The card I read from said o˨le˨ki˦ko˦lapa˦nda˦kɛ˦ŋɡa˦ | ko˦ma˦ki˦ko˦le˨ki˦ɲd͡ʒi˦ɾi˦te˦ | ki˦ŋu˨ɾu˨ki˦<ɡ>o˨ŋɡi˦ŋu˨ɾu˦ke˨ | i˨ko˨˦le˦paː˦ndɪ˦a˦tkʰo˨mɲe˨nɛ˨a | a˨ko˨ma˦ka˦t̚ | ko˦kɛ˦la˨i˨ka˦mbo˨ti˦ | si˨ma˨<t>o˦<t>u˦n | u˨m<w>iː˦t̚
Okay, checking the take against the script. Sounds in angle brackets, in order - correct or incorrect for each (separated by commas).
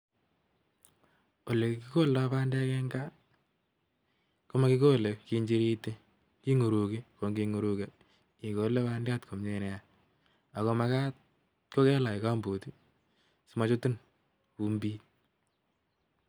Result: incorrect, incorrect, correct, incorrect